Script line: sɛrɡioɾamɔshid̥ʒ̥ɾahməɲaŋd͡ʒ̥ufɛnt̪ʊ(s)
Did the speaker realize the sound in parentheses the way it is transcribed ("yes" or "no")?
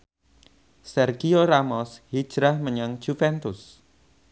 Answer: yes